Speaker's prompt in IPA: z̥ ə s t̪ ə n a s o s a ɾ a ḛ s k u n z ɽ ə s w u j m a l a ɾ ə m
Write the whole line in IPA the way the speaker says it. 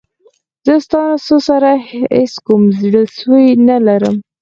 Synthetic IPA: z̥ ə s t̪ ɑ n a s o s a ɾ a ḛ s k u m z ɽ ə s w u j n a l a ɾ ə m